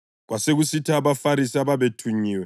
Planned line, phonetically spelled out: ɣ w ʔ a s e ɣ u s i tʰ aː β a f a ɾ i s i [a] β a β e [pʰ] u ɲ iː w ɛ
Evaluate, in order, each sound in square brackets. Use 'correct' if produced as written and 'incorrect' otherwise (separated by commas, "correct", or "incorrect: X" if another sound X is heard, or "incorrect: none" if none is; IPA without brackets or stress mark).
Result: correct, incorrect: tʰ